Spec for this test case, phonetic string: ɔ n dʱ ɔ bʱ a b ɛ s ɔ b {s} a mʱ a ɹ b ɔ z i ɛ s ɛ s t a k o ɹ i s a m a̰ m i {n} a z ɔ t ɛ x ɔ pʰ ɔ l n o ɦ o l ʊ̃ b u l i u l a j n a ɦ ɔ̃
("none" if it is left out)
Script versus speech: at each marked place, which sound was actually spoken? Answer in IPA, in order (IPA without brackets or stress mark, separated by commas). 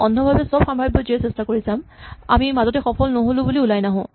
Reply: x, m